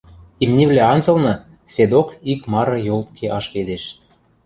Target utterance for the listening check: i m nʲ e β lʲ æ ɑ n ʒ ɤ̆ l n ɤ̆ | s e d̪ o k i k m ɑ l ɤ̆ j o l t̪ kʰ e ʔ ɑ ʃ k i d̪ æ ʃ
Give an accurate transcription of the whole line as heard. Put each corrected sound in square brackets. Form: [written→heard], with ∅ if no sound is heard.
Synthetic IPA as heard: i m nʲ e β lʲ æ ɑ n [ʒ→z] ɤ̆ l n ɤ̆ | s e d̪ o k i k m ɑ [l→ɾ] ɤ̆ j o l t̪ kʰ e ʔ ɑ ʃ k [i→e] d̪ [æ→e] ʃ

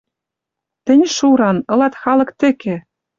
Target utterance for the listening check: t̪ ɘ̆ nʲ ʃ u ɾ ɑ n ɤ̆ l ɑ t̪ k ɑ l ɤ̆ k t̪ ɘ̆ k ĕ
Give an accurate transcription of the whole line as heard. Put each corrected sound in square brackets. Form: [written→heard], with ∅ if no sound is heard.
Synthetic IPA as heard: t̪ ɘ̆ nʲ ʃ u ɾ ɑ n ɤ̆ l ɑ t̪ [k→x] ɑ l ɤ̆ k t̪ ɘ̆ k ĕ

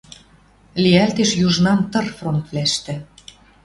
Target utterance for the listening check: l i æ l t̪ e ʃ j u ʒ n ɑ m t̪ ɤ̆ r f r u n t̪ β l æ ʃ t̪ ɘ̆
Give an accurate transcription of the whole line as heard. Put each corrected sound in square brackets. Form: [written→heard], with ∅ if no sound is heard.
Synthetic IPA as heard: l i æ l t̪ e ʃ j u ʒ n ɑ m t̪ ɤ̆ r f r [u→o] n t̪ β l æ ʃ t̪ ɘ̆

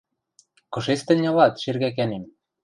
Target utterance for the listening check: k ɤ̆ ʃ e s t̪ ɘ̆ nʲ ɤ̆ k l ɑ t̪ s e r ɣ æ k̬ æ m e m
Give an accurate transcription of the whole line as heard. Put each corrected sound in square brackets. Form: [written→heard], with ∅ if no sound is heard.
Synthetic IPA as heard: k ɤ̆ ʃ e s t̪ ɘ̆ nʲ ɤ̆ [k→∅] l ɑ t̪ [s→ʃ] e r ɣ æ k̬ æ [m→n] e m

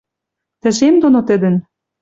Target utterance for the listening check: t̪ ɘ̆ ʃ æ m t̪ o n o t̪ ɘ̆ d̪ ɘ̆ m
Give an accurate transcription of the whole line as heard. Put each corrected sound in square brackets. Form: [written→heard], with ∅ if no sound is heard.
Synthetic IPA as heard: t̪ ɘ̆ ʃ [æ→e] m [t̪→d̪] o n o t̪ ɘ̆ d̪ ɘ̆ [m→n]

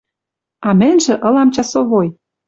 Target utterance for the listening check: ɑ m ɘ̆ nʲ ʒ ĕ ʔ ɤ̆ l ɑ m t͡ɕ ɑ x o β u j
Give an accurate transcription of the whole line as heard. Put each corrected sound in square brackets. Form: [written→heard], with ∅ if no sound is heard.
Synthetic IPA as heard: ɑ m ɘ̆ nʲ ʒ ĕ ʔ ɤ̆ l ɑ m t͡ɕ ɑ [x→s] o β [u→o] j

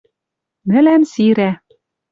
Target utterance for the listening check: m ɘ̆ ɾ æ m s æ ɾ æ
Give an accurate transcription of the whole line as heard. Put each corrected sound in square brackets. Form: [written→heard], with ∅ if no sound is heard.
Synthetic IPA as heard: [m→n] ɘ̆ [ɾ→l] æ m s [æ→i] ɾ æ

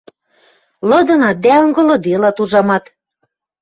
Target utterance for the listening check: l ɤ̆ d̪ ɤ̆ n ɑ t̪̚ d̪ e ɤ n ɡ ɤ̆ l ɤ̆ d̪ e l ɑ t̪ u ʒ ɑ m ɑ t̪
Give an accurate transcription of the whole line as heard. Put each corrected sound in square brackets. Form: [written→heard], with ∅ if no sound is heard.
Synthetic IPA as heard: l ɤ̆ d̪ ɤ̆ n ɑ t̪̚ d̪ [e→æ] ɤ [n→ŋ] ɡ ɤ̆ l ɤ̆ d̪ e l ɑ t̪ u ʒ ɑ m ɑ t̪

